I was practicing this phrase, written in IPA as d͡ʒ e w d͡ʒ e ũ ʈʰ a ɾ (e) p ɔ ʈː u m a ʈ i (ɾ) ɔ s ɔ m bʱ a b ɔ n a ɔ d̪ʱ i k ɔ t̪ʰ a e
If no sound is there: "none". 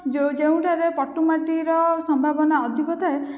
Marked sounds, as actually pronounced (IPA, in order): e, ɾ

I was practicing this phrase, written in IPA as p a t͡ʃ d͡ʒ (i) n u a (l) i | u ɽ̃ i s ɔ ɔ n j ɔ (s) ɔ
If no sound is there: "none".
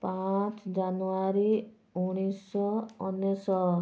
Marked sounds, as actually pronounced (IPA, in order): a, ɾ, s

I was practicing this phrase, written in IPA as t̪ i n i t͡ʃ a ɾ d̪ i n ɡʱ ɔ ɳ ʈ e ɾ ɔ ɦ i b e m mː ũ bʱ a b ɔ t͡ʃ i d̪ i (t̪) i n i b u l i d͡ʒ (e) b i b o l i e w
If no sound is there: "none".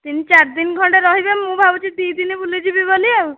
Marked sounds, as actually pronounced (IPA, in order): d̪, i

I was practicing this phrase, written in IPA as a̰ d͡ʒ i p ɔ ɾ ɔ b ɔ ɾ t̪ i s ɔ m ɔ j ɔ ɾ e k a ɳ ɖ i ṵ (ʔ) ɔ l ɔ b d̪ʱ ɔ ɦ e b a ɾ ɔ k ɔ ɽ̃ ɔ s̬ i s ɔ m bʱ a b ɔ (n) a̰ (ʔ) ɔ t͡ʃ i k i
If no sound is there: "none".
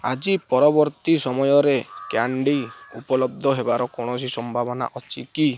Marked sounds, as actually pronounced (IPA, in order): p, n, ʔ

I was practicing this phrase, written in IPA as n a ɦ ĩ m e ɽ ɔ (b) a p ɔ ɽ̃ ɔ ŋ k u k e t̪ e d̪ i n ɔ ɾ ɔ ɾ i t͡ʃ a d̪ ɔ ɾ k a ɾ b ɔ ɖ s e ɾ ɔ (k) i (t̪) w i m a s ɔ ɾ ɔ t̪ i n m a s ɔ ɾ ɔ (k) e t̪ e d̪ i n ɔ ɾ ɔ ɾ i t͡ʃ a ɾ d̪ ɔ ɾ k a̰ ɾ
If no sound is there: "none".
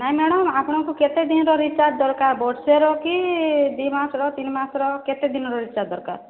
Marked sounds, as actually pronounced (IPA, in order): m, k, d̪, k

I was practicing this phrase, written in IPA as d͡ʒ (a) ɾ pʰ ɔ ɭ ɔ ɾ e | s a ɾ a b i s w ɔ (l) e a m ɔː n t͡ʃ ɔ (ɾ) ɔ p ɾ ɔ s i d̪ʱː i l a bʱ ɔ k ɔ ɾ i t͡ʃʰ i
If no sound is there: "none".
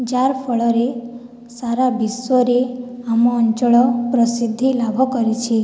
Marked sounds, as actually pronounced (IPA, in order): a, ɾ, ɭ

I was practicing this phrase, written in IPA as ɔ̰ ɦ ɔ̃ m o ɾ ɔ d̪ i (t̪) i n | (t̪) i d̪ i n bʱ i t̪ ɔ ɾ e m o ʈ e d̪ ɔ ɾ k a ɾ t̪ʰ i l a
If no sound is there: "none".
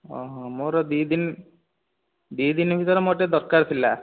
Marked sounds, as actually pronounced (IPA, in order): d̪, d̪

